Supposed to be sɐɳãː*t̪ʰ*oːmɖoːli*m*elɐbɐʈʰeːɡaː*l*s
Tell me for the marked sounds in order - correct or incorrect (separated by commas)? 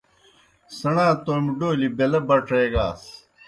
incorrect, incorrect, incorrect